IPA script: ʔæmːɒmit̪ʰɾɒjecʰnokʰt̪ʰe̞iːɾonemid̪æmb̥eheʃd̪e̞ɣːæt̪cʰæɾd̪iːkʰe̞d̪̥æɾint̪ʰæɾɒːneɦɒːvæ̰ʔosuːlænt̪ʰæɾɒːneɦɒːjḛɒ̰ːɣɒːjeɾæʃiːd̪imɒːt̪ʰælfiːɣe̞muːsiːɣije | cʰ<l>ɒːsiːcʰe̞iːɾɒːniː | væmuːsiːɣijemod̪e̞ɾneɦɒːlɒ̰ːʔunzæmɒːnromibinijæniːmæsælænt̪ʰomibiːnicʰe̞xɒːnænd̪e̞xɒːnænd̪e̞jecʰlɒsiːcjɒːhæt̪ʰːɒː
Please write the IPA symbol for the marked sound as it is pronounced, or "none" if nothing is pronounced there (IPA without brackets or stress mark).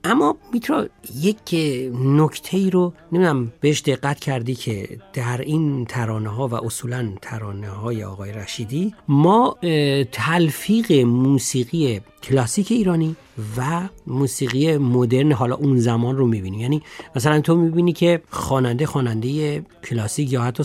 l